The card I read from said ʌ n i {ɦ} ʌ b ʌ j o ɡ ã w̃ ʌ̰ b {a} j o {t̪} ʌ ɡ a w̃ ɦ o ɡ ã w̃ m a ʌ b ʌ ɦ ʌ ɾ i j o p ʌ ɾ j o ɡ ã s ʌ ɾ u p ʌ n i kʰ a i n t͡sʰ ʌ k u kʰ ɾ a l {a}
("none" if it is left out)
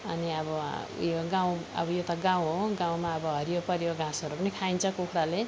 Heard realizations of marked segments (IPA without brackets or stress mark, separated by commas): none, ʌ, t̪, e